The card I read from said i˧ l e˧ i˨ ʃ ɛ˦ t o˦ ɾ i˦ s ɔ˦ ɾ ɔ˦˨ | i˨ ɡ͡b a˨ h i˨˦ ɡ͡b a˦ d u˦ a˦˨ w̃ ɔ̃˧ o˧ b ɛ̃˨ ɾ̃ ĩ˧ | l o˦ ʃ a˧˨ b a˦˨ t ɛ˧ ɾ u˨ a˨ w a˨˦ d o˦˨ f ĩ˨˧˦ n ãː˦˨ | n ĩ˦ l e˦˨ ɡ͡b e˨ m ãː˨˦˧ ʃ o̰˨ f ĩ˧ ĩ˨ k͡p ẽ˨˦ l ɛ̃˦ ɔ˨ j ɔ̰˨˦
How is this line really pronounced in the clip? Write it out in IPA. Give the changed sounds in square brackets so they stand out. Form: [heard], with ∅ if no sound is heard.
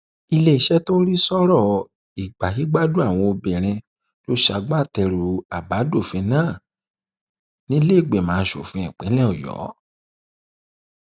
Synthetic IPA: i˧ l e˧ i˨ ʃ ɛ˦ t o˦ ɾ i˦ s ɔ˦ ɾ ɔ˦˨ | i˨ ɡ͡b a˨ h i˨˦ ɡ͡b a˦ d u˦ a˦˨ w̃ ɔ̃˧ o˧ b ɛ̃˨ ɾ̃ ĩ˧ | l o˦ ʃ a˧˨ [ɡ͡b] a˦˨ t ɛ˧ ɾ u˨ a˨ [b] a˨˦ d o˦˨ f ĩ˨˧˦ n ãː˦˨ | n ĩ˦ l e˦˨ ɡ͡b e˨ m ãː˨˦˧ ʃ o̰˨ f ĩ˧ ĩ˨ k͡p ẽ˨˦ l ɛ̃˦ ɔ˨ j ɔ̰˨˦